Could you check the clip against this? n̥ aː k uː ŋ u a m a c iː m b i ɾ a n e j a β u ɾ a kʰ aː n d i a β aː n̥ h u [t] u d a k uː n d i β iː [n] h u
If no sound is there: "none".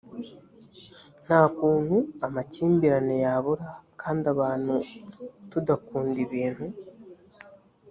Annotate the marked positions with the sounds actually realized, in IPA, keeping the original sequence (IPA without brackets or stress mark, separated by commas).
t, n